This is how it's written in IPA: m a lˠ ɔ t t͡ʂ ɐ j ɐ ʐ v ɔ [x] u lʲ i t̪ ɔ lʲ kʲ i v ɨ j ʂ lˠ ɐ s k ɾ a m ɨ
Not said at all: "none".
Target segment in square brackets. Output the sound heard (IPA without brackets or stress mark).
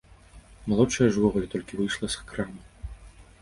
ɣ